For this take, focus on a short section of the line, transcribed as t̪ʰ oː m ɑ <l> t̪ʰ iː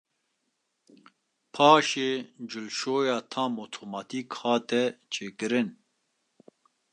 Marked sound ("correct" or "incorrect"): incorrect